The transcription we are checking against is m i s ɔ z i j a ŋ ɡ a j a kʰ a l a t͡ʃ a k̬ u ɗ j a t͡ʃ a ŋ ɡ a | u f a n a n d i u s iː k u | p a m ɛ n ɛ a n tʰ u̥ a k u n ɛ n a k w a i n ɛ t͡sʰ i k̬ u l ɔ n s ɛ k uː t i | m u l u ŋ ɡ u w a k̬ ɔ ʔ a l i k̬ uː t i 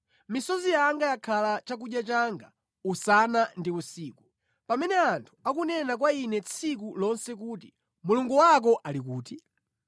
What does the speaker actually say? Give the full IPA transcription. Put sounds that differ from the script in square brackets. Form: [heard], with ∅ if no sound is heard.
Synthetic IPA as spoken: m i s ɔ z i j a ŋ ɡ a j a kʰ a l a t͡ʃ a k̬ u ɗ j a t͡ʃ a ŋ ɡ a | u [s] a n a n d i u s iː k u | p a m ɛ n ɛ a n tʰ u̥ a k u n ɛ n a k w a i n ɛ t͡sʰ i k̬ u l ɔ n s ɛ k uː t i | m u l u ŋ ɡ u w a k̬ ɔ ʔ a l i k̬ uː t i

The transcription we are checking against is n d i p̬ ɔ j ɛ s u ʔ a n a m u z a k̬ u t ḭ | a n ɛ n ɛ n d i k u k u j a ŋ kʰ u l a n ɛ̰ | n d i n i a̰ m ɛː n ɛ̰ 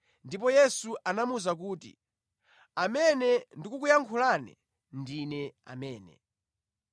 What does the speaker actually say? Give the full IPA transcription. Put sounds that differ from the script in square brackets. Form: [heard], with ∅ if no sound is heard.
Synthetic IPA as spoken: n d i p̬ ɔ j ɛ s u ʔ a n a m u z a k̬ [uː] t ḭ | a [m] ɛ n ɛ n d i k u k u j a ŋ kʰ u l a n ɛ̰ | n d i n [ɛ] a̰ m ɛː n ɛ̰

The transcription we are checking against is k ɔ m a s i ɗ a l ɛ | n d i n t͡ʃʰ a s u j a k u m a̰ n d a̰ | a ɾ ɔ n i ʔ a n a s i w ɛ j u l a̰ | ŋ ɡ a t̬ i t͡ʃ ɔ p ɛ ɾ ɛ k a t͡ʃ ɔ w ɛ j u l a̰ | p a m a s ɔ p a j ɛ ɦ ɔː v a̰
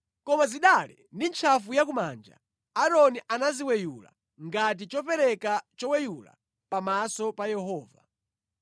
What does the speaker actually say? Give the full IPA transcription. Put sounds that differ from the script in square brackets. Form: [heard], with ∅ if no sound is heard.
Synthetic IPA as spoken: k ɔ m a [z] i ɗ a l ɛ | n d i n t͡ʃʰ a [f] u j a k u m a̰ n [d͡ʒ] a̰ | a ɾ ɔ n i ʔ a n a [z] i w ɛ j u l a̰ | ŋ ɡ a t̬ i t͡ʃ ɔ p ɛ ɾ ɛ k a t͡ʃ ɔ w ɛ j u l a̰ | p a m a s ɔ p a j ɛ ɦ ɔː v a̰

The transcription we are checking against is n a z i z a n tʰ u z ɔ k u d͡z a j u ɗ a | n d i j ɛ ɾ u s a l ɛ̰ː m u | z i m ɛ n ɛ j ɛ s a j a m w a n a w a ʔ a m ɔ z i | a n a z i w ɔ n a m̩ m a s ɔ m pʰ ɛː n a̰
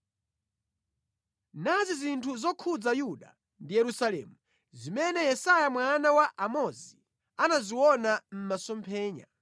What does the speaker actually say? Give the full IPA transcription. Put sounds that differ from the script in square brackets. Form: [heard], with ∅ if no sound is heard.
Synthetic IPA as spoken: n a z i z [i] n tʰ u z ɔ [kʰ] u d͡z a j u ɗ a | n d i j ɛ ɾ u s a l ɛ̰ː m u | z i m ɛ n ɛ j ɛ s a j a m w a n a w a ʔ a m ɔ z i | a n a z i w ɔ n a m̩ m a s ɔ m pʰ ɛː [ɲ] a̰

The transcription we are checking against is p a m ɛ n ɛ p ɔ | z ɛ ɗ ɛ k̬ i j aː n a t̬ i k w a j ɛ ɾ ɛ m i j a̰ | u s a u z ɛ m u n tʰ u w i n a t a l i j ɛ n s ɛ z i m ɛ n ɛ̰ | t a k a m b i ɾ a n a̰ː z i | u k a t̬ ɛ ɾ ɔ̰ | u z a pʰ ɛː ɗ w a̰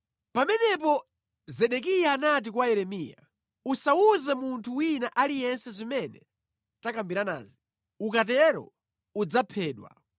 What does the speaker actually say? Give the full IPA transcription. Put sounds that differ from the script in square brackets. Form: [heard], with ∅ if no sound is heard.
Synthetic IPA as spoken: p a m ɛ n ɛ p ɔ | z ɛ ɗ ɛ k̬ i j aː n a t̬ i k w a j ɛ ɾ ɛ m i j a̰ | u s a u z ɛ m u n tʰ u w i n a [ʔ] a l i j ɛ n s ɛ z i m ɛ n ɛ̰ | t a k a m b i ɾ a n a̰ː z i | u k a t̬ ɛ ɾ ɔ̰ | u [d͡z] a pʰ ɛː ɗ w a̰

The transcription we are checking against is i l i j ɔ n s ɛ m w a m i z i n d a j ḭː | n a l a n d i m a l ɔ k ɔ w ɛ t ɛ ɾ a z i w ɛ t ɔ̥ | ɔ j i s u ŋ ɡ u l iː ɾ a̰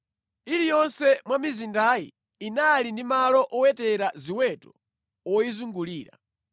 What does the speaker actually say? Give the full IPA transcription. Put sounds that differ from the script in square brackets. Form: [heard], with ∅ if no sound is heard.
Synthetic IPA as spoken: i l i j ɔ n s ɛ m w a m i z i n d a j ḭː | n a l [i] n d i m a l ɔ [ʔ] ɔ w ɛ t ɛ ɾ a z i w ɛ t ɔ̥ | ɔ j i [z] u ŋ ɡ u l iː ɾ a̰

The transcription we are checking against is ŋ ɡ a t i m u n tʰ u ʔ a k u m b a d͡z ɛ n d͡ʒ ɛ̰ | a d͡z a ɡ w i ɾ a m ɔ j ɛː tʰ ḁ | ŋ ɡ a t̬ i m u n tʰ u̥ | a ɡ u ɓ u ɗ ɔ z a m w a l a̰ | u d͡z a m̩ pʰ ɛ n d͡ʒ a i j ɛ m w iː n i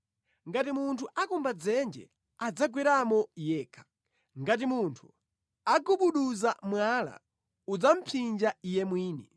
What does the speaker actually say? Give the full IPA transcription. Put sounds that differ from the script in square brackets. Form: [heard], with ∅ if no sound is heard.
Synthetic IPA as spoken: ŋ ɡ a t i m u n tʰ u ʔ a k u m b a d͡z ɛ n d͡ʒ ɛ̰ | a d͡z a ɡ w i ɾ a m ɔ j ɛː [kʰ] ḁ | ŋ ɡ a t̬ i m u n tʰ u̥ | a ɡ u ɓ u ɗ [u] z a m w a l a̰ | u d͡z a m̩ pʰ [i] n d͡ʒ a i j ɛ m w iː n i

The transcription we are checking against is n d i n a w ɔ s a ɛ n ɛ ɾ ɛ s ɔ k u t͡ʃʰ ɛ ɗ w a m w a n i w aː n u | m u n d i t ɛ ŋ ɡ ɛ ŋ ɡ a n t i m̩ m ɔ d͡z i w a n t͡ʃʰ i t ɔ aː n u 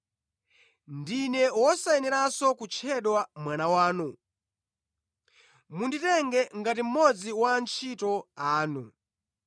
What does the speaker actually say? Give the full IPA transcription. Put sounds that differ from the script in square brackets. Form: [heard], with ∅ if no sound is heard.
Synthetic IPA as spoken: n d i n [ɛ] w ɔ s a ɛ n ɛ ɾ [a] s ɔ k u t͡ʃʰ ɛ ɗ w a m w a n [a] w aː n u | m u n d i t ɛ ŋ ɡ ɛ ŋ ɡ a [∅] t i m̩ m ɔ d͡z i w a n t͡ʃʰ i t ɔ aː n u

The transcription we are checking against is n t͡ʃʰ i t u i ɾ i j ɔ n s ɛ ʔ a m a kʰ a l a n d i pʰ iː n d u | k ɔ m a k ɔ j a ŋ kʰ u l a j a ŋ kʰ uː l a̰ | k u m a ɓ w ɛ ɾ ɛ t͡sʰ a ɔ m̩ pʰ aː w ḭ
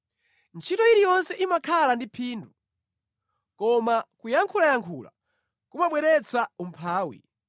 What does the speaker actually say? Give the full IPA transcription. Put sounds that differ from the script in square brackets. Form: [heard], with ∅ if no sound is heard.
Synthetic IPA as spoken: n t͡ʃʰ i t [ɔ] i ɾ i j ɔ n s ɛ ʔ [i] m a kʰ a l a n d i pʰ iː n d u | k ɔ m a k [u] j a ŋ kʰ u l a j a ŋ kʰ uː l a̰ | k u m a ɓ w ɛ ɾ ɛ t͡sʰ a [u] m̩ pʰ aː w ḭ

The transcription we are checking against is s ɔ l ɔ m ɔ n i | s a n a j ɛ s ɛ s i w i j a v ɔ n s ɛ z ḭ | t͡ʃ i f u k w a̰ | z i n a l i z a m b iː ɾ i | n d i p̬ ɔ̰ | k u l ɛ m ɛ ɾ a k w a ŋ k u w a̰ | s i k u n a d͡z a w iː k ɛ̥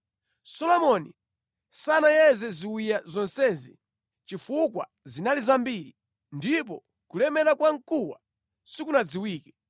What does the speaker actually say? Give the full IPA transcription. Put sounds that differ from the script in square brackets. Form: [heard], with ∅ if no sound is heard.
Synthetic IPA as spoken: s ɔ l ɔ m ɔ n i | s a n a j ɛ [z] ɛ [z] i w i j a [z] ɔ n s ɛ z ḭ | t͡ʃ i f u k w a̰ | z i n a l i z a m b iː ɾ i | n d i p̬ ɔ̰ | k u l ɛ m ɛ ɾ a k w a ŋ k u w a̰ | s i k u n a d͡z [i] w iː k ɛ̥

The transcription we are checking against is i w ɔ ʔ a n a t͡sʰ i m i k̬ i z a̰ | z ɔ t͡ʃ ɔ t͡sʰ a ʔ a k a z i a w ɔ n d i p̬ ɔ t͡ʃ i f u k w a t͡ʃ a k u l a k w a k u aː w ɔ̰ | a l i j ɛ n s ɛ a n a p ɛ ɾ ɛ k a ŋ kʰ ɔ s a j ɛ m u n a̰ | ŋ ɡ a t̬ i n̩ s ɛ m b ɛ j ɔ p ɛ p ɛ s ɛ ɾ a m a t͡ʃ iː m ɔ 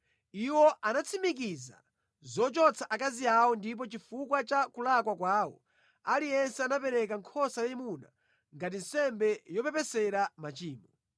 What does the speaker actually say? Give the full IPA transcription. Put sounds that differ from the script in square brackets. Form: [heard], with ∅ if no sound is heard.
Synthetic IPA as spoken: i w ɔ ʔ a n a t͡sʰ i m i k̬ i z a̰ | z ɔ t͡ʃ ɔ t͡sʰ a ʔ a k a z i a w ɔ n d i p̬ ɔ t͡ʃ i f u k w a t͡ʃ a k u l a k w a k [w] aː w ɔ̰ | a l i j ɛ n s ɛ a n a p ɛ ɾ ɛ k a ŋ kʰ ɔ s a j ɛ m u n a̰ | ŋ ɡ a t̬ i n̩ s ɛ m b ɛ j ɔ p ɛ p ɛ s ɛ ɾ a m a t͡ʃ iː m ɔ

